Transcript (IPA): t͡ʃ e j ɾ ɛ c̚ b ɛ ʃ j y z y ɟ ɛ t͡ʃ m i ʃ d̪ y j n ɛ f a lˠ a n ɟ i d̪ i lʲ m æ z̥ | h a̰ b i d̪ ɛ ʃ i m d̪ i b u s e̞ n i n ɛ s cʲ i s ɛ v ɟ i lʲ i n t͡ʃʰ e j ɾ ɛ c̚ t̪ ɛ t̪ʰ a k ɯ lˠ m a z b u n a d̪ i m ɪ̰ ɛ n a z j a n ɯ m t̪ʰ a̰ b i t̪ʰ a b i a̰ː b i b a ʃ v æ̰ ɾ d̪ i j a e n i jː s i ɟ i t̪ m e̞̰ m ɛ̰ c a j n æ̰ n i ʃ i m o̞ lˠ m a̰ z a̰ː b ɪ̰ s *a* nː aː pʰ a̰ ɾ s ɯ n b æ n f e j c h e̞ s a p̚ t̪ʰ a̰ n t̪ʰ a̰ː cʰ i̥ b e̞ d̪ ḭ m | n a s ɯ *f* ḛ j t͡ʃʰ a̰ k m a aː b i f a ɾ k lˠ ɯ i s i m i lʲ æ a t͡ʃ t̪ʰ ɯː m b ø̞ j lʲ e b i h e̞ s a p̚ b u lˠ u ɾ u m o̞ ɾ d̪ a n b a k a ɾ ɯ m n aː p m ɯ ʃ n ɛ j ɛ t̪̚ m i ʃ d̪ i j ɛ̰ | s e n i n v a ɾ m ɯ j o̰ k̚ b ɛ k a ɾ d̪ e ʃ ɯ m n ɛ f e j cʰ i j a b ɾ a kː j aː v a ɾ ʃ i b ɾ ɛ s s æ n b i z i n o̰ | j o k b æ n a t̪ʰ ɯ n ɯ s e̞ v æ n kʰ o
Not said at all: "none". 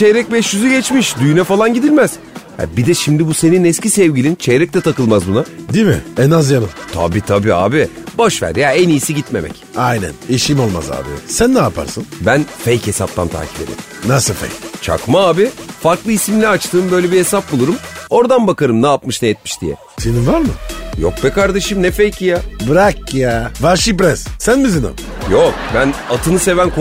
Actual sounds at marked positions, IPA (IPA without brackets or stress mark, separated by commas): æ, f